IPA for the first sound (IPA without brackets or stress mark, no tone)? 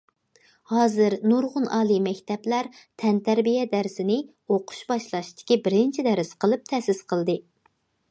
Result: h